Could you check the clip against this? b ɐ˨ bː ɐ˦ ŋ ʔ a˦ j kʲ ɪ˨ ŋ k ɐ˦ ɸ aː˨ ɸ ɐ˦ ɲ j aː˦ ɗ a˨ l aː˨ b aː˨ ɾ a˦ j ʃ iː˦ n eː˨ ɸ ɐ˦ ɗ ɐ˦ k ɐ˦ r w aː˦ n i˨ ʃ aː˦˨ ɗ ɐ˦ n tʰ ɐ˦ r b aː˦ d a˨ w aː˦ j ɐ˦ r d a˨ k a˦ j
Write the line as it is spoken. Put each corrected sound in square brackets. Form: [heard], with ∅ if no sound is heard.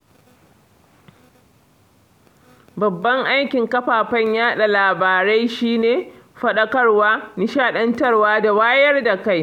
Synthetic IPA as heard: b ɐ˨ bː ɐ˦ ŋ ʔ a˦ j kʲ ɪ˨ ŋ k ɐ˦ ɸ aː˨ ɸ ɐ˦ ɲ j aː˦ ɗ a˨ l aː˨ b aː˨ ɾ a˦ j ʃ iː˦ n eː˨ ɸ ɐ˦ ɗ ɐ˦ k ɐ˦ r w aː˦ n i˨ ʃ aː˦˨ ɗ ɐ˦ n [t] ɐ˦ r [w] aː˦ d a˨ w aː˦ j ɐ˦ r d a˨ k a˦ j